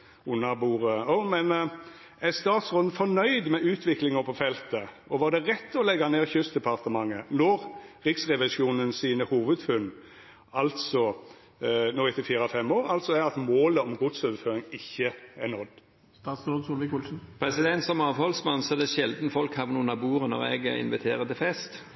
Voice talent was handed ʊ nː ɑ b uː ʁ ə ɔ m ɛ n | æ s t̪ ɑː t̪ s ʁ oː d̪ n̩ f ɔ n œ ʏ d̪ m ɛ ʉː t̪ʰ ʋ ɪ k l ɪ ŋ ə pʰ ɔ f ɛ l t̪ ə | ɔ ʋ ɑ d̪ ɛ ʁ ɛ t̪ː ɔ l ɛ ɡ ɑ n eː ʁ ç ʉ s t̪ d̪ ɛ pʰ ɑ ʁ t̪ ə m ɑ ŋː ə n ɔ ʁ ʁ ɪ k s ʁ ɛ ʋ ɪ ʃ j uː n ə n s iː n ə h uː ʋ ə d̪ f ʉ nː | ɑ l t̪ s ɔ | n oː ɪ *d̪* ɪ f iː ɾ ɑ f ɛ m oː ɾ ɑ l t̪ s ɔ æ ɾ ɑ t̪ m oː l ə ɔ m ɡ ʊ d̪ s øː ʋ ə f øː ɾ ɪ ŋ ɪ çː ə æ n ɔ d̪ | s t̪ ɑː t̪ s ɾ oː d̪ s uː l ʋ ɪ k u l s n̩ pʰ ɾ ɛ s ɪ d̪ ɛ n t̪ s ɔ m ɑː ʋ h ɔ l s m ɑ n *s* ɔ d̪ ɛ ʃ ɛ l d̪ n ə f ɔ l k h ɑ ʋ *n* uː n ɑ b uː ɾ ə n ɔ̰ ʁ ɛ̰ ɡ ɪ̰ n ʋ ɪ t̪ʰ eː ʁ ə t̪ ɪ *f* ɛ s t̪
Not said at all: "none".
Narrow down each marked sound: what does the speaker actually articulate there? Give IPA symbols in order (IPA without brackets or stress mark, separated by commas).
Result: t̪, s, n, f